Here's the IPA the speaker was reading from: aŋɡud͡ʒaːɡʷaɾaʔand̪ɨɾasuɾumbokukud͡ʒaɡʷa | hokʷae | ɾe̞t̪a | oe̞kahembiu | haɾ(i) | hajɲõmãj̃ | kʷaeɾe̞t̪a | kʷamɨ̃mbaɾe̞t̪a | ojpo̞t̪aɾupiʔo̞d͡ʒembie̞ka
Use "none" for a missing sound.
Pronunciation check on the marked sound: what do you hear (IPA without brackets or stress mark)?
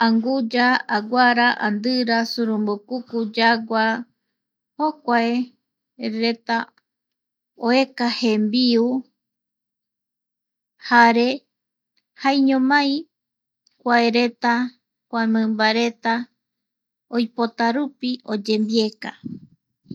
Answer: e